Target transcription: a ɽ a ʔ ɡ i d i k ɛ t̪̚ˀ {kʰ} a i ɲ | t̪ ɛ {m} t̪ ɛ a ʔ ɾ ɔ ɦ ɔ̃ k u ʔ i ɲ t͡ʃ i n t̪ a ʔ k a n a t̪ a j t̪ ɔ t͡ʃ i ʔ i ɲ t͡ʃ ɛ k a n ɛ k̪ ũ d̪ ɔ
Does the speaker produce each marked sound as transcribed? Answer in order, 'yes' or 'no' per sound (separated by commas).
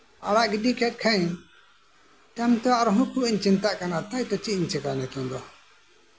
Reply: yes, yes